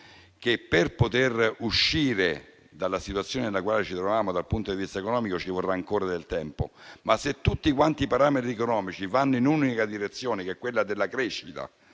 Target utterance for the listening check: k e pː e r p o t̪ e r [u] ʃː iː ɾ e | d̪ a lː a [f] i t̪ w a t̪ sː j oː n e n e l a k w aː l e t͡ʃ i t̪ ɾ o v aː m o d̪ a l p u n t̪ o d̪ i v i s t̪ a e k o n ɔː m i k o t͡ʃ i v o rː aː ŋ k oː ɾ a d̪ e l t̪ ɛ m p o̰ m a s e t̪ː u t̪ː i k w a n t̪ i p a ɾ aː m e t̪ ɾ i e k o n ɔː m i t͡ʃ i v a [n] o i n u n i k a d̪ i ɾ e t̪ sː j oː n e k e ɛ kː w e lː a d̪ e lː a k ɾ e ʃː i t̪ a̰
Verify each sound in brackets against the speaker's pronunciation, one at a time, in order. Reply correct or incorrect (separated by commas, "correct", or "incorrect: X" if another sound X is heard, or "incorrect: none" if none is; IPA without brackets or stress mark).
correct, incorrect: s, incorrect: nː